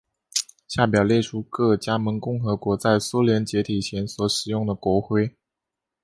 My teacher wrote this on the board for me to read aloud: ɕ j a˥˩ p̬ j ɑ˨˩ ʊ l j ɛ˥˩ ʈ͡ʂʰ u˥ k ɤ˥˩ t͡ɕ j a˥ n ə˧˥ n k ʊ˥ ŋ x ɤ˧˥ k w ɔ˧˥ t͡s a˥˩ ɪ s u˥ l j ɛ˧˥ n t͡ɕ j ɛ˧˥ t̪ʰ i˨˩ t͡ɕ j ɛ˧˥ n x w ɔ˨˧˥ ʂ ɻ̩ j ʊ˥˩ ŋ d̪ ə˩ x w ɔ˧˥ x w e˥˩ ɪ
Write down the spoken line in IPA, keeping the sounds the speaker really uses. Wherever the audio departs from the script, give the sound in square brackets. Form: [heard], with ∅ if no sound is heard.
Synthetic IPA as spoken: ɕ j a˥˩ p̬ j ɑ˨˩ ʊ l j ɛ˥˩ ʈ͡ʂʰ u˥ k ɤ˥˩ t͡ɕ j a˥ [m] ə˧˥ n k [ʊ˥˩] ŋ x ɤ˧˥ k w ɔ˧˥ t͡s a˥˩ ɪ s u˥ l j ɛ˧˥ n t͡ɕ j ɛ˧˥ t̪ʰ i˨˩ [t͡ɕʰ] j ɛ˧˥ n [s] w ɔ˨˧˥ ʂ ɻ̩ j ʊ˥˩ ŋ d̪ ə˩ [k] w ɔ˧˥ x w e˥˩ ɪ